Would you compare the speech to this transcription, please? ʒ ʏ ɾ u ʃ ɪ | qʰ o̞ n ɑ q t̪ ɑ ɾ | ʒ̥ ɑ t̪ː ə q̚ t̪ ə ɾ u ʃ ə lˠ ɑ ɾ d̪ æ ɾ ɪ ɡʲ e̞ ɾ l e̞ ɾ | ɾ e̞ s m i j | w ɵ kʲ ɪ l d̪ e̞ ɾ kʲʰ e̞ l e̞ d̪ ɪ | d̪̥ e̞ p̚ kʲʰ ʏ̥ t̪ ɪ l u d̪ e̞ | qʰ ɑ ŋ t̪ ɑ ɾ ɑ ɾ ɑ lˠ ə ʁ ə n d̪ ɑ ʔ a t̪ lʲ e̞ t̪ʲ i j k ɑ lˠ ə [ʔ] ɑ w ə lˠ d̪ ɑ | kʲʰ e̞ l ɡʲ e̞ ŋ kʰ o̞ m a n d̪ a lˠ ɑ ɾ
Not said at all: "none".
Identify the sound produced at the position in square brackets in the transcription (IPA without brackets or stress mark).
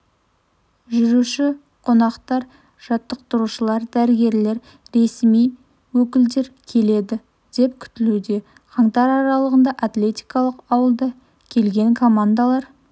q